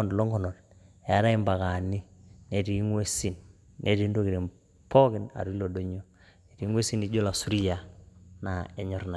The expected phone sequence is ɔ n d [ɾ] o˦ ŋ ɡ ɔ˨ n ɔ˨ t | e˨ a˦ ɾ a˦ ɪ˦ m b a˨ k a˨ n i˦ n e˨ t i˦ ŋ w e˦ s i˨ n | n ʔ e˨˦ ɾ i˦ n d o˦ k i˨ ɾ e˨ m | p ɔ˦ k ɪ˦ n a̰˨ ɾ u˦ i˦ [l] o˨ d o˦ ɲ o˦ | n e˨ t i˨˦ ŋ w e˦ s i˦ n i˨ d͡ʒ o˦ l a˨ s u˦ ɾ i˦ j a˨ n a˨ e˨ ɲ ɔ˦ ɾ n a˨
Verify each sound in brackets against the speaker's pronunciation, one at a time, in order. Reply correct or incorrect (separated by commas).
incorrect, correct